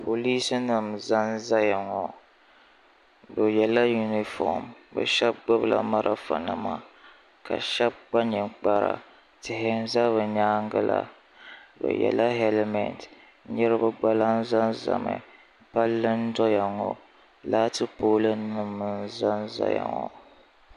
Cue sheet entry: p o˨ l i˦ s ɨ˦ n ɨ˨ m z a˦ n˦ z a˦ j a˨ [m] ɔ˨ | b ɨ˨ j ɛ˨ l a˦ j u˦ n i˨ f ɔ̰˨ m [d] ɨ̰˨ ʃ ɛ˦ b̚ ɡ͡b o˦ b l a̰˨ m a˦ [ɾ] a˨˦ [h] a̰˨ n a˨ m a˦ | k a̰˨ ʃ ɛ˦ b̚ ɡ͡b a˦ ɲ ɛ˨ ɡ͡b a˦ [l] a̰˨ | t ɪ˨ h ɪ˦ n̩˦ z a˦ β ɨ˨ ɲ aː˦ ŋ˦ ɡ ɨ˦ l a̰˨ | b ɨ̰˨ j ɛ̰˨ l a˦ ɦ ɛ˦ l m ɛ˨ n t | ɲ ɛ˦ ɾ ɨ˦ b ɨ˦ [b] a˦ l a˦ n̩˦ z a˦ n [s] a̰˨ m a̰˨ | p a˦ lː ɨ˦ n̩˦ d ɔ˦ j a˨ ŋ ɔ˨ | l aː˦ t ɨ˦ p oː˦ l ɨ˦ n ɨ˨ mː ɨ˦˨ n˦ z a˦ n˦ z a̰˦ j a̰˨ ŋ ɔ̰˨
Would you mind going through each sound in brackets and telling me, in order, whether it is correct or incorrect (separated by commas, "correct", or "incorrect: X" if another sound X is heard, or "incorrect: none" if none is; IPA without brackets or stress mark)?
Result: incorrect: ŋ, incorrect: b, correct, incorrect: f, incorrect: ɾ, incorrect: ɡ͡b, incorrect: z